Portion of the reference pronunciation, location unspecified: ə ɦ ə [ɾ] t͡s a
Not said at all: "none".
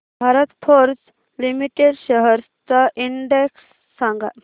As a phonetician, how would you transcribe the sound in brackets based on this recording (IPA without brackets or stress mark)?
ɾ